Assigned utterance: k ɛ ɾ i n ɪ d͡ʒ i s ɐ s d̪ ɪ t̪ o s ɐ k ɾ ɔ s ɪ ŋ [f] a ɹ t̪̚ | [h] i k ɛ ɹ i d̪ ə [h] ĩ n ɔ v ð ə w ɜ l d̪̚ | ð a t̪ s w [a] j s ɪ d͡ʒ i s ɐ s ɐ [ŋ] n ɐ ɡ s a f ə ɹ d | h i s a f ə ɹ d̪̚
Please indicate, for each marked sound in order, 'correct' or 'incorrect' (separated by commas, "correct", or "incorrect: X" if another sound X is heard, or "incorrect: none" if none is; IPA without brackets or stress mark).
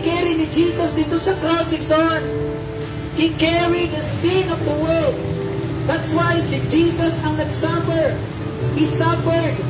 incorrect: s, correct, incorrect: s, correct, correct